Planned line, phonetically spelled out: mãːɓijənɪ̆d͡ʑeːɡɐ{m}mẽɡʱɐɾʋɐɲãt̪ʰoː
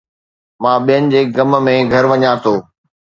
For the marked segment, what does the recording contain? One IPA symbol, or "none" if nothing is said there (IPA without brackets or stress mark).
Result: m